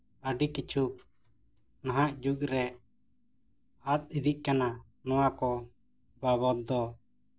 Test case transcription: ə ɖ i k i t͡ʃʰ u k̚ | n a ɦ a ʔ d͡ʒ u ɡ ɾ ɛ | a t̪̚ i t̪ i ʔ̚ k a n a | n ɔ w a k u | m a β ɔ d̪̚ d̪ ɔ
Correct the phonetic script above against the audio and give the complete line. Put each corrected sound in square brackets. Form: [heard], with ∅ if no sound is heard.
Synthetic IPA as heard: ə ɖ i k i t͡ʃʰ u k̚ | n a ɦ a ʔ d͡ʒ u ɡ ɾ ɛ | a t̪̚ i [d̪] i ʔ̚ k a n a | n ɔ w a k [ɔ] | [b] a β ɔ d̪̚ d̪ ɔ

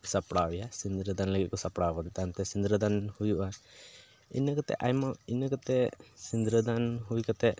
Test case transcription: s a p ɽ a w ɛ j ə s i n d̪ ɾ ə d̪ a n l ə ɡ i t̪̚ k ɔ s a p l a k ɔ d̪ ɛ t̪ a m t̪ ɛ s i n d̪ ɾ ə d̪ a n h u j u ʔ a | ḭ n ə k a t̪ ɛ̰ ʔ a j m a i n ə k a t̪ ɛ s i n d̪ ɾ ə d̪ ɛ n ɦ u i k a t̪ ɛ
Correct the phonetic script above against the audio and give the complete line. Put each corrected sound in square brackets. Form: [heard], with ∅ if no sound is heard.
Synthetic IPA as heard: s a p ɽ a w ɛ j [a] s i n d̪ ɾ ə d̪ a n l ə ɡ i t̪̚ k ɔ s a p [ɽ] a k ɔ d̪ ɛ t̪ a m t̪ ɛ s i n d̪ ɾ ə d̪ a n h u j u ʔ a | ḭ n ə k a t̪ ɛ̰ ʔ a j m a i n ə k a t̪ ɛ s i n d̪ ɾ ə d̪ [a] n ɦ u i k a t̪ ɛ

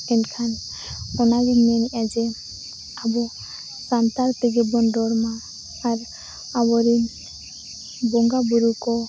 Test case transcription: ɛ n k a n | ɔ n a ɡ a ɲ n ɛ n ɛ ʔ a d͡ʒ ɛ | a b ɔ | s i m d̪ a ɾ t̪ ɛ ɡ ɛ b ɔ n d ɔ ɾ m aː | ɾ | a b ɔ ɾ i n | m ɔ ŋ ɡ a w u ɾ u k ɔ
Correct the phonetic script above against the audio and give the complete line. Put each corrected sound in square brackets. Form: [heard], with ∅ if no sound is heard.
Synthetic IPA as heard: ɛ n [kʰ] a n | ɔ n a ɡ [i] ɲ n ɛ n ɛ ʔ a d͡ʒ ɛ | a b ɔ | s [a] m [t̪] a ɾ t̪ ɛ ɡ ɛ b ɔ n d ɔ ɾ m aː | ɾ | a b ɔ ɾ i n | [b] ɔ ŋ ɡ a [b] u ɾ u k ɔ

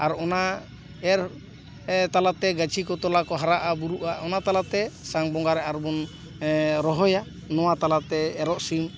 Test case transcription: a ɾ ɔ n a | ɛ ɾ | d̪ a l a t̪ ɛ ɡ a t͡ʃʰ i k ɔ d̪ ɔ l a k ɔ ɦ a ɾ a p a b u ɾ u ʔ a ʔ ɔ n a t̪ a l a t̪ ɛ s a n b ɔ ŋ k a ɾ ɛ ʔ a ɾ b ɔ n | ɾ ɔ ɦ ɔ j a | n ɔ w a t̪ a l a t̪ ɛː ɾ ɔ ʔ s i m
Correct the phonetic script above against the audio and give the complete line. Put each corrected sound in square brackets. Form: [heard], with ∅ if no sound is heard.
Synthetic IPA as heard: a ɾ ɔ n a | ɛ ɾ | [t̪] a l a t̪ ɛ ɡ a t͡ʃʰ i k ɔ [t̪] ɔ l a k ɔ ɦ a ɾ a [ʔ] a b u ɾ u ʔ a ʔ ɔ n a t̪ a l a t̪ ɛ s a [ŋ] b ɔ ŋ [ɡ] a ɾ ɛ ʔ a ɾ b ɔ n | ɾ ɔ ɦ ɔ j a | n ɔ w a t̪ a l a t̪ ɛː ɾ ɔ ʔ s i m

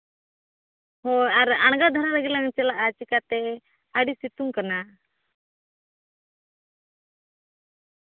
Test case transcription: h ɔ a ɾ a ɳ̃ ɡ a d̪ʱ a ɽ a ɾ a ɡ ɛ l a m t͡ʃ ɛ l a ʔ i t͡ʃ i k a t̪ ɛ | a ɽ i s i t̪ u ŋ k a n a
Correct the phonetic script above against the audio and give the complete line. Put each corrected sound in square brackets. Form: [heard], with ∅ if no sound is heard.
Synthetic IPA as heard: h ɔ a ɾ a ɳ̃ ɡ a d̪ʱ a [ɾ] a ɾ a ɡ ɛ l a [ŋ] t͡ʃ ɛ l a ʔ [a] t͡ʃ i k a t̪ ɛ | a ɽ i s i t̪ u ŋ k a n a

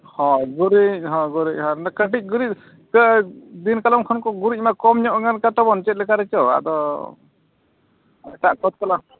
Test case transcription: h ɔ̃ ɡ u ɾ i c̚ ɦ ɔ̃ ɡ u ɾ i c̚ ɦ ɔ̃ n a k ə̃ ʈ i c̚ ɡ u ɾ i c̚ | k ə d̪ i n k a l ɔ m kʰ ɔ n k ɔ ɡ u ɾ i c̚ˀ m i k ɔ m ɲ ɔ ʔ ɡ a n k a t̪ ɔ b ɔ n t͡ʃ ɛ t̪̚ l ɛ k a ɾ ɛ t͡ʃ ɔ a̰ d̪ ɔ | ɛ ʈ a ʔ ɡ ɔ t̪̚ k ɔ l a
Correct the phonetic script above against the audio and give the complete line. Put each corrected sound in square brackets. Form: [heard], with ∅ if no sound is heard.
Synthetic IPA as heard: h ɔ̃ ɡ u ɾ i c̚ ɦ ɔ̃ ɡ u ɾ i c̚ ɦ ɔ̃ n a k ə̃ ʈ i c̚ ɡ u ɾ i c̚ | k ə d̪ i n k a l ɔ m kʰ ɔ n k ɔ ɡ u ɾ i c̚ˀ m [a] k ɔ m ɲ ɔ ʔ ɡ a n k a t̪ ɔ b ɔ n t͡ʃ ɛ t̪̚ l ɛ k a ɾ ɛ t͡ʃ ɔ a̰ d̪ ɔ | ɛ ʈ a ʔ [k] ɔ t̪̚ k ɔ l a

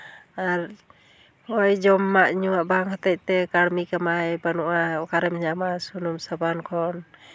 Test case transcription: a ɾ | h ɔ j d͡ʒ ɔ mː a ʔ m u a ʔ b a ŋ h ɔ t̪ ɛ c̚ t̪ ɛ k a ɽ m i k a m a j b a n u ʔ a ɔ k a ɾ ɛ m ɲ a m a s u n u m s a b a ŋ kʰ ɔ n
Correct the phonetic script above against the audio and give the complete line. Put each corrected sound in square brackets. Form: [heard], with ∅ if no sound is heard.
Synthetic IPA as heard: a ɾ | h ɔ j d͡ʒ ɔ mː a ʔ [ɲ] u a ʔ b a ŋ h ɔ t̪ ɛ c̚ t̪ ɛ k a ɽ m i k a m a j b a n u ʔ a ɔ k a ɾ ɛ m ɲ a m a s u n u m s a b a [n] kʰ ɔ n

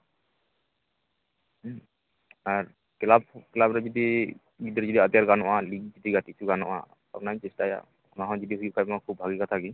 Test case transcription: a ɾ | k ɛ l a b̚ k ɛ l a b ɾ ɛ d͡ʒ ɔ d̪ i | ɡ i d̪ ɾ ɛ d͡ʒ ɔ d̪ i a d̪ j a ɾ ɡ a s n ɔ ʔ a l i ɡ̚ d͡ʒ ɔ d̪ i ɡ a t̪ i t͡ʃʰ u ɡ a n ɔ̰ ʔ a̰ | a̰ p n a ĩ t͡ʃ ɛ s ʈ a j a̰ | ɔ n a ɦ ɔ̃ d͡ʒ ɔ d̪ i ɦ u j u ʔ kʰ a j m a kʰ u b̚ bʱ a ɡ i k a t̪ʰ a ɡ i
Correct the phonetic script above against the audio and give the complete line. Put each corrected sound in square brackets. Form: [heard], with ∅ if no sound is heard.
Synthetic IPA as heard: a ɾ | k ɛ l a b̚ k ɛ l a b ɾ ɛ d͡ʒ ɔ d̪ i | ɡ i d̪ ɾ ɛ d͡ʒ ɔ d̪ i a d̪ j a ɾ ɡ a [∅] n ɔ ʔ a l i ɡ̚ d͡ʒ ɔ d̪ i ɡ a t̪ i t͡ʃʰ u ɡ a n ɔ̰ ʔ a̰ | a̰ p n a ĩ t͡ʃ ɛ s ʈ a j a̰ | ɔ n a ɦ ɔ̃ d͡ʒ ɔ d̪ i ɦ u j u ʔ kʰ a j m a kʰ u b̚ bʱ a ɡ i k a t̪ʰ a ɡ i

